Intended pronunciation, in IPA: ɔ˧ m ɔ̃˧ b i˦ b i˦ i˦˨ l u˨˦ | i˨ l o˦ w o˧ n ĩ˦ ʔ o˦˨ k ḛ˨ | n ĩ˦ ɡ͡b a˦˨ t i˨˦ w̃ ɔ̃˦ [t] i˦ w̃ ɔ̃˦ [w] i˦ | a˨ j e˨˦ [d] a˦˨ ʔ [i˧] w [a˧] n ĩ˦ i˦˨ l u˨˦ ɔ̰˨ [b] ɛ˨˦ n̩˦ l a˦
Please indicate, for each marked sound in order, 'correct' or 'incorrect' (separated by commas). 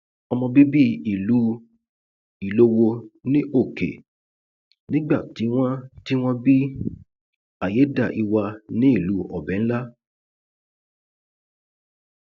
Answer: correct, incorrect, correct, correct, correct, correct